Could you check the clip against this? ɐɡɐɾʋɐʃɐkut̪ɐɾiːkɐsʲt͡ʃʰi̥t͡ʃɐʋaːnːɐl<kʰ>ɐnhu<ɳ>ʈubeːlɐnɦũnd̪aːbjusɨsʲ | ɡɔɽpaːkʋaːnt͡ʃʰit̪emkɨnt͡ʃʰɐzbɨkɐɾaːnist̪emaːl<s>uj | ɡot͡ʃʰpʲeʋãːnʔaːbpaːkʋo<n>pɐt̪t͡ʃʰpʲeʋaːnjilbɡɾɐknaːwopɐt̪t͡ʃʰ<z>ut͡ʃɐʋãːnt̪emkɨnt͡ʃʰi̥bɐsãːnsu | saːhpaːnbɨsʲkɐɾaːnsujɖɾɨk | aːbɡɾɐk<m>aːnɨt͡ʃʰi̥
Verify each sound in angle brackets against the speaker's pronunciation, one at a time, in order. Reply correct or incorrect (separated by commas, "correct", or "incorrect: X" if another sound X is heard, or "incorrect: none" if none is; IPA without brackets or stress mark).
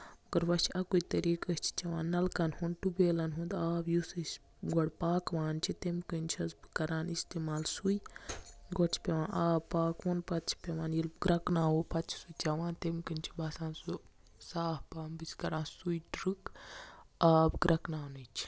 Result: incorrect: k, incorrect: n, correct, correct, incorrect: s, incorrect: n